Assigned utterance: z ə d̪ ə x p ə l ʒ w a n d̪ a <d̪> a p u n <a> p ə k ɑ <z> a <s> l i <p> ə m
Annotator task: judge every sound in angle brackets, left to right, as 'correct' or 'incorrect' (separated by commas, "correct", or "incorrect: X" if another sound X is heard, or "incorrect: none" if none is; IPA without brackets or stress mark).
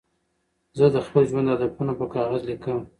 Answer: correct, correct, incorrect: ɣ, incorrect: z, incorrect: k